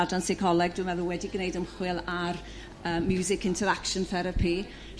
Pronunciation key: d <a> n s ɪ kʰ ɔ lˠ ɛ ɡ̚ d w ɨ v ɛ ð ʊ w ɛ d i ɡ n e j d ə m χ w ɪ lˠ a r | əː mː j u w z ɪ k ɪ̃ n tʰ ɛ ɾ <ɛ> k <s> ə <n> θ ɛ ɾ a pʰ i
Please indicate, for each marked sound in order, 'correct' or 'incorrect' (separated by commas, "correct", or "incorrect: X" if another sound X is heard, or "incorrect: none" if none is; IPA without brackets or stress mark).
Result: correct, incorrect: a, incorrect: ʃ, correct